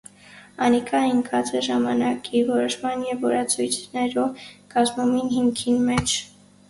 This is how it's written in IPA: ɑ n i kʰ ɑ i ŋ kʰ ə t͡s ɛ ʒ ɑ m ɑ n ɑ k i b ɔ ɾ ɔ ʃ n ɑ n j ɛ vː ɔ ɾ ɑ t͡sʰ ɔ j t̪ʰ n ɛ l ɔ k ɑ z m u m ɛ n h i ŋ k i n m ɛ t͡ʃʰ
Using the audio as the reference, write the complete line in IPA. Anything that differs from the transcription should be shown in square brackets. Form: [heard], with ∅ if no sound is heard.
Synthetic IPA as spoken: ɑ n i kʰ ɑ i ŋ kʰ [ɑ] t͡s ɛ ʒ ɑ m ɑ n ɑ k i [v] ɔ ɾ ɔ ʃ [m] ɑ n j ɛ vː ɔ ɾ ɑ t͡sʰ [u] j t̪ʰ n ɛ [ɾ] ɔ k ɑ z m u m [i] n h i ŋ [kʰ] i n m ɛ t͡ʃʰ